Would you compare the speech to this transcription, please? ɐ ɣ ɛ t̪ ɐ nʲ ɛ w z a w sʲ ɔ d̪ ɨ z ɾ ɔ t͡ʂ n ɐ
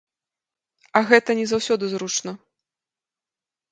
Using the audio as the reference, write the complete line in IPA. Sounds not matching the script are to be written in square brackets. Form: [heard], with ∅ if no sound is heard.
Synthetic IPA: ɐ ɣ ɛ t̪ ɐ nʲ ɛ [∅] z a w sʲ ɔ d̪ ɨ z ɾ [u] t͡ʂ n ɐ